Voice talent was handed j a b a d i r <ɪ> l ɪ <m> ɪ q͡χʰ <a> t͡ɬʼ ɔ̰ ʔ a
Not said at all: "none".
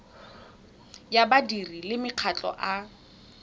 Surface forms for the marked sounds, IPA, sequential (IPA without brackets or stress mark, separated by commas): i, m, a